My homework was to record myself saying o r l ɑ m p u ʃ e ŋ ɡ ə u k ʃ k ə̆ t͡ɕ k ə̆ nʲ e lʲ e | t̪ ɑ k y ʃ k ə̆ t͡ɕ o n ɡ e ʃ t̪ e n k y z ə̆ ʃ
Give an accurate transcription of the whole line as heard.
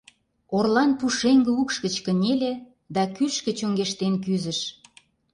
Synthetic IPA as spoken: o r l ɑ n p u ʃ e ŋ ɡ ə u k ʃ k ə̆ t͡ɕ k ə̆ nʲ e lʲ e | d̪ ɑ k y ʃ k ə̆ t͡ɕ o ŋ ɡ e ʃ t̪ e n k y z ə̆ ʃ